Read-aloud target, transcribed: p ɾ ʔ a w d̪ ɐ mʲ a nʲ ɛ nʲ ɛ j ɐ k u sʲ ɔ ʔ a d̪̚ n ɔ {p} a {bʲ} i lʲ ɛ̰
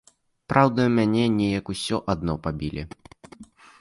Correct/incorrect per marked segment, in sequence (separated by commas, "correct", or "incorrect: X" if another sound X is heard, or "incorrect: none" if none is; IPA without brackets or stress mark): correct, correct